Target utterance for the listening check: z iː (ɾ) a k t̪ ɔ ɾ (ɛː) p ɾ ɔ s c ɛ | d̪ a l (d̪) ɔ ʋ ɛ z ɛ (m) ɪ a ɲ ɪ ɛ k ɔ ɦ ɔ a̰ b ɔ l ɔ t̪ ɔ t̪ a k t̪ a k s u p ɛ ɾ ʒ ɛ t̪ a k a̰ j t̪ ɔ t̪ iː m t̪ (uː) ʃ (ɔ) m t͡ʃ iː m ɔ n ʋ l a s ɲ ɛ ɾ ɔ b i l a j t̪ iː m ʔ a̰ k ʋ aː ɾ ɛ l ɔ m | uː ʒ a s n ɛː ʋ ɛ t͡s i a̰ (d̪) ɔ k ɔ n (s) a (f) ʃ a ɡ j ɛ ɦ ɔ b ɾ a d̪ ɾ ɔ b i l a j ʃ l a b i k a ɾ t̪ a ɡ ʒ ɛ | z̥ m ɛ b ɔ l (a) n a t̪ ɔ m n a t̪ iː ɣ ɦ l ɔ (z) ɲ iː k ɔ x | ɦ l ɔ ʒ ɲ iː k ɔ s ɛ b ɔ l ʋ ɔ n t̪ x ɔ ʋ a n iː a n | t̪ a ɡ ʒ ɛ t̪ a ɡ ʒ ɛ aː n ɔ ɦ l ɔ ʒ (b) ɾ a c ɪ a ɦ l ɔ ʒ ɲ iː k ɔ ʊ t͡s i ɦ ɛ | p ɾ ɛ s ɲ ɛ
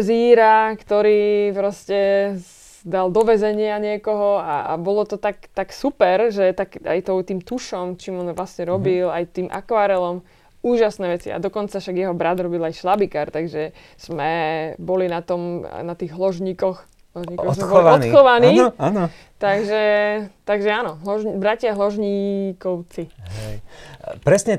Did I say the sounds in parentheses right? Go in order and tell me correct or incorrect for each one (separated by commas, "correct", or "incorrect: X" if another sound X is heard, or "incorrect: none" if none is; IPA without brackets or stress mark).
correct, incorrect: iː, correct, incorrect: ɲ, incorrect: u, correct, correct, incorrect: t͡s, correct, incorrect: i, incorrect: ʒ, correct